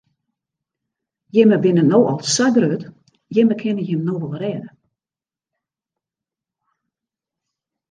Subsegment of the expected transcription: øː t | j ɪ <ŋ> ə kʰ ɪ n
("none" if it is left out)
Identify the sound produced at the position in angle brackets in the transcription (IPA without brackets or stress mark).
m